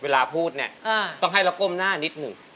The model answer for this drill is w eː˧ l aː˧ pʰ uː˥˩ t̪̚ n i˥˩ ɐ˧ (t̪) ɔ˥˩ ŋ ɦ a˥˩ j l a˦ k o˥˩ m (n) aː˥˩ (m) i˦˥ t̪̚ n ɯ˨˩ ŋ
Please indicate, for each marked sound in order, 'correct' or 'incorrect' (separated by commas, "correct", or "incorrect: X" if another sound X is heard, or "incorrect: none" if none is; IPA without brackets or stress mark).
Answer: correct, correct, incorrect: n